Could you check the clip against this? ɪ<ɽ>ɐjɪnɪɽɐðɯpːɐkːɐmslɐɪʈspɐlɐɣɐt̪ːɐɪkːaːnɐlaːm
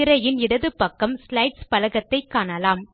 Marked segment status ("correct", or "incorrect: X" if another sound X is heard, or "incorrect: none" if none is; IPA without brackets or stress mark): incorrect: ɾ